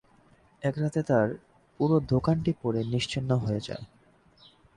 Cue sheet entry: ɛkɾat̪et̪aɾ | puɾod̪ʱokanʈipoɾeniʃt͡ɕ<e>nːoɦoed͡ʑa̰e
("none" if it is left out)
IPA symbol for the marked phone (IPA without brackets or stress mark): i